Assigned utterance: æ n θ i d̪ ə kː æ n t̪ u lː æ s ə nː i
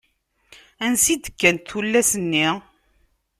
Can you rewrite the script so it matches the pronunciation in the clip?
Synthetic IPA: æ n s i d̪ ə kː æ n t̪ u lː æ s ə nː i